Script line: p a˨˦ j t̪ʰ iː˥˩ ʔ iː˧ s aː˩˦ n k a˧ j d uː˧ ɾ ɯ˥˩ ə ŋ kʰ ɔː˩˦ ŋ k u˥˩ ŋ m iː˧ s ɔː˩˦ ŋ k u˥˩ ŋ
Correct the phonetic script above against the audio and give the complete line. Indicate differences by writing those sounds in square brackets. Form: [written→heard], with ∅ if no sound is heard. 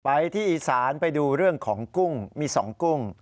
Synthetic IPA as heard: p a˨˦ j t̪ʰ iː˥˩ ʔ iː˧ s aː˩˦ n [k→p] a˧ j d uː˧ ɾ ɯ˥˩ ə ŋ kʰ ɔː˩˦ ŋ k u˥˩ ŋ m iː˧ s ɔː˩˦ ŋ k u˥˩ ŋ